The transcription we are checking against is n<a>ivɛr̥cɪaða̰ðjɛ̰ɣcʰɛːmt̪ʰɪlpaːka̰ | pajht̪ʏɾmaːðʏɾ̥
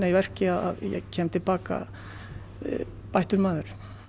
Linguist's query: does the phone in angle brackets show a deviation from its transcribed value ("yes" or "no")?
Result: no